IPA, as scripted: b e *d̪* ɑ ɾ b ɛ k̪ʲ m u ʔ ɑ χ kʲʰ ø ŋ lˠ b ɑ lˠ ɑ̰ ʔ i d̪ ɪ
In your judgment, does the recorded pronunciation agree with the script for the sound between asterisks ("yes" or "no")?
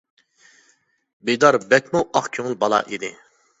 yes